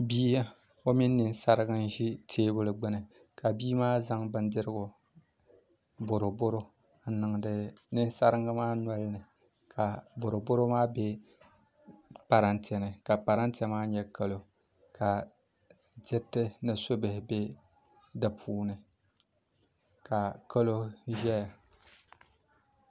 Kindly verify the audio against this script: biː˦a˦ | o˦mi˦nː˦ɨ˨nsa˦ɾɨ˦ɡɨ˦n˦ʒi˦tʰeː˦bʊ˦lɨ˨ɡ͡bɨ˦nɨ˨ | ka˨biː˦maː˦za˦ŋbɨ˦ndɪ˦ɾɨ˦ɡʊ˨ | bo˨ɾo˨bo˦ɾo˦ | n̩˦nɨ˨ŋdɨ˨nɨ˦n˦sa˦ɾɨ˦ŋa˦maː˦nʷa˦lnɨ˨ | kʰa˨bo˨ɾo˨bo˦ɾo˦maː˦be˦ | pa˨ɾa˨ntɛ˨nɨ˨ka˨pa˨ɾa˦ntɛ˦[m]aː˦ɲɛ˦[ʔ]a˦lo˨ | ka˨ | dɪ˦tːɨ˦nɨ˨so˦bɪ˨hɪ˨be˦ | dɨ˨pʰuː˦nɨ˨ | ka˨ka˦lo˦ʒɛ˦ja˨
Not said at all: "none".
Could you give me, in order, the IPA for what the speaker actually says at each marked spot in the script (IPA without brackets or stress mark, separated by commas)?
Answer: m, k